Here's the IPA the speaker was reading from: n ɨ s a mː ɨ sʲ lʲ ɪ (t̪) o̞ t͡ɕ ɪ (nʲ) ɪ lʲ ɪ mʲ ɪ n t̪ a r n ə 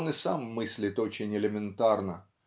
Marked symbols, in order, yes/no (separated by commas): yes, yes